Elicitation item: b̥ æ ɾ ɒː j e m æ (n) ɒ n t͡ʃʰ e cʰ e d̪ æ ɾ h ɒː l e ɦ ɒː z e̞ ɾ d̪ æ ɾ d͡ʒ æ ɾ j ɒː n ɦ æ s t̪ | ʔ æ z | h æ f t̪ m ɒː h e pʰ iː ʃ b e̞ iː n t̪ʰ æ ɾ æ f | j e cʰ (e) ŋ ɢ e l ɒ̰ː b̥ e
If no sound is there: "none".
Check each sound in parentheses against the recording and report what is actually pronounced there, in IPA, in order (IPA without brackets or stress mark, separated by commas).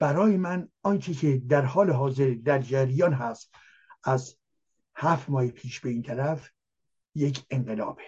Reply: n, e